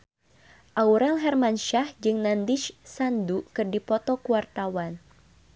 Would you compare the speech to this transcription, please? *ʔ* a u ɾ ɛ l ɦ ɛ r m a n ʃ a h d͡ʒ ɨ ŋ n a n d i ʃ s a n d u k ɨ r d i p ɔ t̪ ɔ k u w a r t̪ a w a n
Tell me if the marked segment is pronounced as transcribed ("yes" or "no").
yes